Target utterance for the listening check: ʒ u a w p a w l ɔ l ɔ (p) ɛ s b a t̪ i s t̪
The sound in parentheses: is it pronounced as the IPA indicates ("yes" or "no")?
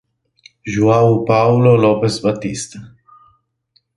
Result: yes